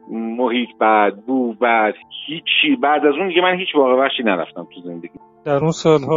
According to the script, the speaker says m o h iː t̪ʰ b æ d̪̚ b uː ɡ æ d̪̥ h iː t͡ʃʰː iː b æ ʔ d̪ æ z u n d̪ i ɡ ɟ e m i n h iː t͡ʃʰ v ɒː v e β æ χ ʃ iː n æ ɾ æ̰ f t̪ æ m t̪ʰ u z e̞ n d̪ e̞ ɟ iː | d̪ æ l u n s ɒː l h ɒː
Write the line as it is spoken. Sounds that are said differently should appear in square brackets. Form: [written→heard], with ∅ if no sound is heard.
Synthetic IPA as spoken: m o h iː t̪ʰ b æ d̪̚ b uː [ɡ→b] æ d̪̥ h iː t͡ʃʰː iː b æ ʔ d̪ æ z u n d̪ i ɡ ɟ e m [i→æ] n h iː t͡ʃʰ v ɒː [v→ɣ] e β æ χ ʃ iː n æ ɾ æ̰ f t̪ æ m t̪ʰ u z e̞ n d̪ e̞ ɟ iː | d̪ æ [l→ɾ] u n s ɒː l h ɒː